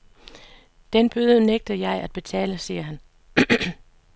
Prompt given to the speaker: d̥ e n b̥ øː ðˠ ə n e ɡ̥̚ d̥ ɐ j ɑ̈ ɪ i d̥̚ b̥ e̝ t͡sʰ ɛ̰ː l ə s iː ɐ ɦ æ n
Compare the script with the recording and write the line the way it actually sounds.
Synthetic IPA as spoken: d̥ e n b̥ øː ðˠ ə n e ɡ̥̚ d̥ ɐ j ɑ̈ ɪ æ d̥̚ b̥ e̝ t͡sʰ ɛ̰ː l ə s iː ɐ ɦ æ n